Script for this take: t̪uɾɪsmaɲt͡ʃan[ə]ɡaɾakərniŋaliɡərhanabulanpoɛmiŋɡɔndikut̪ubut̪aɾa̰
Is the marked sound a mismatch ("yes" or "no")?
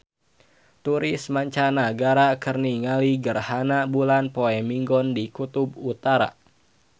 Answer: yes